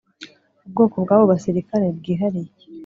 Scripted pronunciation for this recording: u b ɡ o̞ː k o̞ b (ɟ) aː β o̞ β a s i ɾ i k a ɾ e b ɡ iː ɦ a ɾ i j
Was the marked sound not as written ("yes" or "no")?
yes